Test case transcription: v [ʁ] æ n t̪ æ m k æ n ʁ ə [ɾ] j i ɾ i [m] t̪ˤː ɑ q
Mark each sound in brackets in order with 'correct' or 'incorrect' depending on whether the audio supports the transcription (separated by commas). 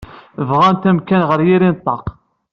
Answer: correct, correct, incorrect